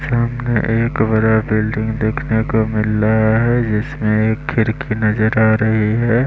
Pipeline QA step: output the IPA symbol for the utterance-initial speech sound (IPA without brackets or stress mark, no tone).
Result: s